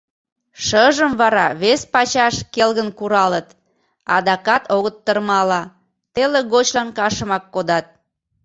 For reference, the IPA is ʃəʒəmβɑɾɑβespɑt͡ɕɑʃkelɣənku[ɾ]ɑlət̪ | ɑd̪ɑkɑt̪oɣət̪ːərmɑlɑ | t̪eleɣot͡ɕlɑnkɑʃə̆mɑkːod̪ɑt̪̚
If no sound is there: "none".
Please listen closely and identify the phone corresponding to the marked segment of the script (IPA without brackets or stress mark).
ɾ